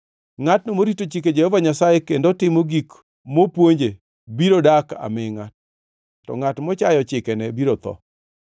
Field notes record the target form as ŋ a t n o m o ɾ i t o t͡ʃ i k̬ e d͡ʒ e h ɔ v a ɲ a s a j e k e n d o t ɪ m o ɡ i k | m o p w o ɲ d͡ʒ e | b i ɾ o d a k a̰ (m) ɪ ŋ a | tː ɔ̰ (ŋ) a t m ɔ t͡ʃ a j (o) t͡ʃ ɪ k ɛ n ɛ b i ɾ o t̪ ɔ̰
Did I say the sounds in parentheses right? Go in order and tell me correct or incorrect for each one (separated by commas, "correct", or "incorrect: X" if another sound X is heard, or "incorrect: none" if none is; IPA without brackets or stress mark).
correct, correct, incorrect: ɔ